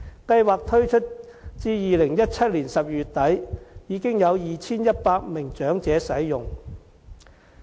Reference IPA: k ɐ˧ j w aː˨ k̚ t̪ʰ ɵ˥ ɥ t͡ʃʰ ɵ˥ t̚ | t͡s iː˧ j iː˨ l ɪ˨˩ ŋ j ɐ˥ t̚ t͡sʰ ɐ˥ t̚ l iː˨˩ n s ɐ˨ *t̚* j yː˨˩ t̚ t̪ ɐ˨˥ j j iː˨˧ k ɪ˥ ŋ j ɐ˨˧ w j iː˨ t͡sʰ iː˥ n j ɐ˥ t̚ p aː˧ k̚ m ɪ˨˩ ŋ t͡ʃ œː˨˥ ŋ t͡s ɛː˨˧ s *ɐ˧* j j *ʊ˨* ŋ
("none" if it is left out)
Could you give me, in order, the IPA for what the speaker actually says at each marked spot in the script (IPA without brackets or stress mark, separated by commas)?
p̚, ɐ˨˥, ʊ˨